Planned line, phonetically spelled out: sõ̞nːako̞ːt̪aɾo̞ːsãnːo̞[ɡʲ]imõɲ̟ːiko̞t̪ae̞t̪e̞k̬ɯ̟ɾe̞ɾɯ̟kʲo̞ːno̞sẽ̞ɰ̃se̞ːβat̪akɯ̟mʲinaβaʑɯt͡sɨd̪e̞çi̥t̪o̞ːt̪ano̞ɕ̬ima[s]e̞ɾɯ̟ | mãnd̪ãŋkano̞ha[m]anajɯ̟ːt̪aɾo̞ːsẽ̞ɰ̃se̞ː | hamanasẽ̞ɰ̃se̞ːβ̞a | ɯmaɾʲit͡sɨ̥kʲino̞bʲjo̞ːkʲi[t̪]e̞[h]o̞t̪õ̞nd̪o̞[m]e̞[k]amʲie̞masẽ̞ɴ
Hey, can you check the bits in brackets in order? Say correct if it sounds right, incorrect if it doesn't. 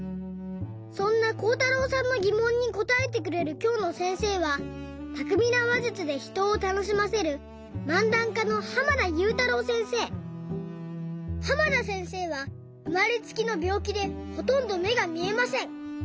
correct, correct, correct, incorrect: d̪, correct, correct, incorrect: ɡ

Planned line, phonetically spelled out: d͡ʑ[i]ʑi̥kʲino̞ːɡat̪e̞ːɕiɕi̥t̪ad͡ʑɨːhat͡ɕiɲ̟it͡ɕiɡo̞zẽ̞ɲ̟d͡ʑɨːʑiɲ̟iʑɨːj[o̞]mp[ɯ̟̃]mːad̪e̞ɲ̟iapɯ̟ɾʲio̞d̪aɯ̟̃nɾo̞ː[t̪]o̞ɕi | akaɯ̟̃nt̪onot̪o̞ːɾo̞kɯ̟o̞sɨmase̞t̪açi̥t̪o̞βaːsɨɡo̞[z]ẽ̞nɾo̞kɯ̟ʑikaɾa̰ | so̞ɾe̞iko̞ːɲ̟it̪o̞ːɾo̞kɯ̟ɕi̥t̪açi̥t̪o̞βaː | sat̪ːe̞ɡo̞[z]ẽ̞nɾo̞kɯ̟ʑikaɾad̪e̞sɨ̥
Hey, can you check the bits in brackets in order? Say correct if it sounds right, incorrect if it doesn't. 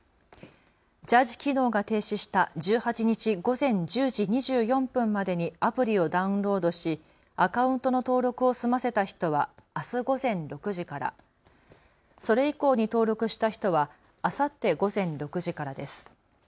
incorrect: a, incorrect: õ̞, correct, incorrect: d̪, correct, correct

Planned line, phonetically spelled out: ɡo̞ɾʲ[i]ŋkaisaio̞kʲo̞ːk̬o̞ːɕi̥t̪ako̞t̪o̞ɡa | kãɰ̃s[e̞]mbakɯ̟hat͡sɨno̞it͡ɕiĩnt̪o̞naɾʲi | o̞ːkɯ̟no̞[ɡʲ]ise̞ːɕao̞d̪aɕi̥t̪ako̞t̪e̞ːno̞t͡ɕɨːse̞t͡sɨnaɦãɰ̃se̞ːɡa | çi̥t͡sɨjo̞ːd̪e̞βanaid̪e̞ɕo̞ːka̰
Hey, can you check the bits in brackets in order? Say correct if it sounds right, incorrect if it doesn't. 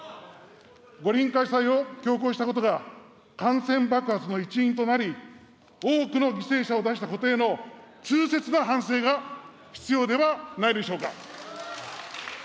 incorrect: ĩ, incorrect: ẽ̞, correct

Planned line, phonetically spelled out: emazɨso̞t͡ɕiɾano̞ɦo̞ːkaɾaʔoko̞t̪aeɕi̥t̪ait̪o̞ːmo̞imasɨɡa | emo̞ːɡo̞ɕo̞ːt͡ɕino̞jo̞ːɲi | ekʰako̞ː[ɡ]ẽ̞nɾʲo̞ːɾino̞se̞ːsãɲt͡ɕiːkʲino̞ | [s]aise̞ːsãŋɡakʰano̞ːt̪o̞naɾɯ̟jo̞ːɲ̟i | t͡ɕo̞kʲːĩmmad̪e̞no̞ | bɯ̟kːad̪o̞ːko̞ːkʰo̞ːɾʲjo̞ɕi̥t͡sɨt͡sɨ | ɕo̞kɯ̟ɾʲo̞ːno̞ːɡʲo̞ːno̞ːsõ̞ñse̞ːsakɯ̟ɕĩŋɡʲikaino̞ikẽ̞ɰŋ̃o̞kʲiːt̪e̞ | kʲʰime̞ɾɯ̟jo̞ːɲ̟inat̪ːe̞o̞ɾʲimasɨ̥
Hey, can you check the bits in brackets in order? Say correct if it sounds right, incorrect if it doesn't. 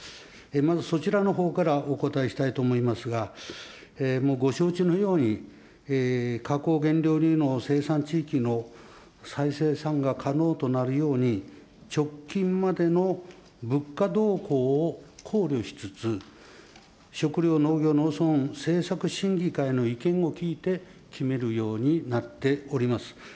correct, correct

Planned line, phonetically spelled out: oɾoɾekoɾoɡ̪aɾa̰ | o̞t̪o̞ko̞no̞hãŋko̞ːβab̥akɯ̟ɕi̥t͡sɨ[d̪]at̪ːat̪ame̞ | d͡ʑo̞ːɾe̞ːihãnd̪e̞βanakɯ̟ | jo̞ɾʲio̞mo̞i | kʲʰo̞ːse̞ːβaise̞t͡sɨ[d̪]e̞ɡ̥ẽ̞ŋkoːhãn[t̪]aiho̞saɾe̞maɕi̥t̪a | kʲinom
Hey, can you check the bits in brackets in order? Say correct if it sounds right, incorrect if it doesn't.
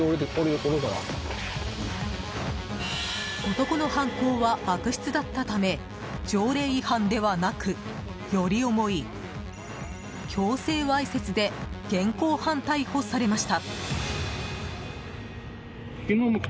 correct, correct, correct

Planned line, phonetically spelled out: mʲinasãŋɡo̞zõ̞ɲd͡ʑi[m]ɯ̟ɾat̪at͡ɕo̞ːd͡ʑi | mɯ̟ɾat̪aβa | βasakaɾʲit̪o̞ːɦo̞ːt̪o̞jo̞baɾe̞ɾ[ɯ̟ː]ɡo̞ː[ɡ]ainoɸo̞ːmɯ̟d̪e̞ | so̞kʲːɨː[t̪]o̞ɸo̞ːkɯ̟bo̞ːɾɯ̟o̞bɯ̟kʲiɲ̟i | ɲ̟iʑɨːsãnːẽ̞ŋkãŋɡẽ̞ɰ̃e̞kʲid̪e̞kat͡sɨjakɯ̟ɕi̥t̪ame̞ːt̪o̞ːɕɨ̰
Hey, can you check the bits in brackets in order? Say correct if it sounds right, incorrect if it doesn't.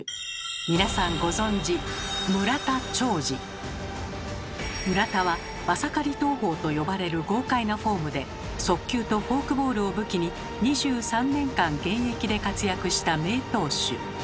correct, incorrect: ɯ̟, incorrect: k, correct

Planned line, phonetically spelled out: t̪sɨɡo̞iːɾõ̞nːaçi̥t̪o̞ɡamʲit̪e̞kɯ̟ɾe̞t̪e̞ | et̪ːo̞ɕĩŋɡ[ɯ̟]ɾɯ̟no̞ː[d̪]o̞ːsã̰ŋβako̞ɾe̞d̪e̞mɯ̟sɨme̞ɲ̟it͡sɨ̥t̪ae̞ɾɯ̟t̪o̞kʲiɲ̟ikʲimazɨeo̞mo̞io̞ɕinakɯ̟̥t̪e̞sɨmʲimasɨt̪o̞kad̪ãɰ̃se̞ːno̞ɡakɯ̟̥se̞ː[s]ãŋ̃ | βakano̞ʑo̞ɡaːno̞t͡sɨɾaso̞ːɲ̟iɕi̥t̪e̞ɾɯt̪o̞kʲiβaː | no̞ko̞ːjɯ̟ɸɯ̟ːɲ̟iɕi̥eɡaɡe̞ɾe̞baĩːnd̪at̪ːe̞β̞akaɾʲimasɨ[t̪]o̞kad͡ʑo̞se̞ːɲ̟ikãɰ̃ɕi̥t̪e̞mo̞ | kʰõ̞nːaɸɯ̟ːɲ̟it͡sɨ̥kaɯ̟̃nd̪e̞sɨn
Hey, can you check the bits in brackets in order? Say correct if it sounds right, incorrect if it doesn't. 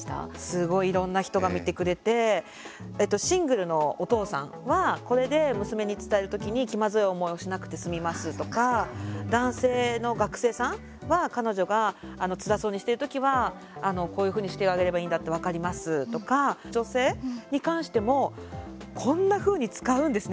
correct, incorrect: t̪, correct, correct

